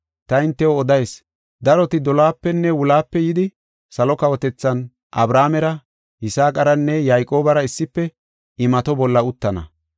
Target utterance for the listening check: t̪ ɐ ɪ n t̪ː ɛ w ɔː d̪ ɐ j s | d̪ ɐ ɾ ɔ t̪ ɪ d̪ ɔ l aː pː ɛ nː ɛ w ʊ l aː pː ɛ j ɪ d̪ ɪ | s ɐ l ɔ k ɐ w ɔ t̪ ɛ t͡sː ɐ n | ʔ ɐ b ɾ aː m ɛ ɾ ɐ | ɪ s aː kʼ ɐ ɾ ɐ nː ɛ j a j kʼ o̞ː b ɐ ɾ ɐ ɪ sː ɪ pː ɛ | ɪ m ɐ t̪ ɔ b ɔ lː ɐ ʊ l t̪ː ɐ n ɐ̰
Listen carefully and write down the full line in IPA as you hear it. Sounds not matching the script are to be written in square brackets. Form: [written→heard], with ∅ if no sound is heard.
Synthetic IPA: t̪ ɐ ɪ n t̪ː ɛ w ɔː d̪ ɐ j s | d̪ ɐ ɾ ɔ t̪ ɪ d̪ ɔ l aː pː ɛ nː ɛ w ʊ l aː pː ɛ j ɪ d̪ ɪ | s ɐ l ɔ k ɐ w ɔ t̪ ɛ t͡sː ɐ n | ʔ ɐ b ɾ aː m ɛ ɾ ɐ | ɪ s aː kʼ ɐ ɾ ɐ nː ɛ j a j kʼ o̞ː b ɐ ɾ ɐ ɪ sː ɪ pː ɛ | ɪ m ɐ t̪ ɔ b ɔ lː ɐ ʊ [l→∅] t̪ː ɐ n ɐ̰